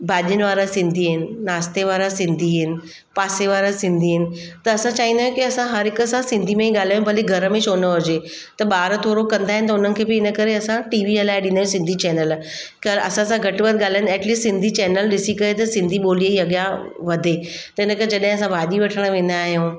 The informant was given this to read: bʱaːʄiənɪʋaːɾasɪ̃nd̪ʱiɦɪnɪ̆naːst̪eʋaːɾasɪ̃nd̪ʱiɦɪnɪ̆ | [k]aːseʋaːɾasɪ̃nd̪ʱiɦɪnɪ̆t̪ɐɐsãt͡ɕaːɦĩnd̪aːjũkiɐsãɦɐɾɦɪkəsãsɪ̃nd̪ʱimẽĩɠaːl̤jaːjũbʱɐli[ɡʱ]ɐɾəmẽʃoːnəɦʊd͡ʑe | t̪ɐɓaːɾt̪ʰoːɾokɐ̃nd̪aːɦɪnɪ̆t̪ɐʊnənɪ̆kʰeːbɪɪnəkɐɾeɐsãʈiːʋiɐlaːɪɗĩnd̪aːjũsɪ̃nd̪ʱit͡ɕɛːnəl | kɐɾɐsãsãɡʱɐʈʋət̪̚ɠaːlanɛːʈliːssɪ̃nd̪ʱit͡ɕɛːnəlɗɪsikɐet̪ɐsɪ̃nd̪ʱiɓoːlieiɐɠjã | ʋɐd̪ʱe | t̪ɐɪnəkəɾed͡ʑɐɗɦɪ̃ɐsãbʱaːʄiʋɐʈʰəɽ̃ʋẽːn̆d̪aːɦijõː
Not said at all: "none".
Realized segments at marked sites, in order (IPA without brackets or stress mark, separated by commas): p, ɡʱ